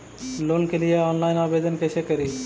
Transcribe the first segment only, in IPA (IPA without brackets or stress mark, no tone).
l